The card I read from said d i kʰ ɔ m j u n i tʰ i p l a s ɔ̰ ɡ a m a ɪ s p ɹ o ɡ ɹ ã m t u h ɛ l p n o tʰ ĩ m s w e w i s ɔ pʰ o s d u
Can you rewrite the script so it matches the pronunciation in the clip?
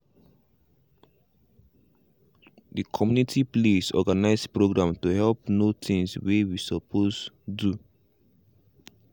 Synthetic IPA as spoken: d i kʰ ɔ m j u n i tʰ i p l e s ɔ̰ ɡ a n a ɪ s p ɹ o ɡ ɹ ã m t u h ɛ l p n o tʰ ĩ ŋ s w e w i s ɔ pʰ o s d u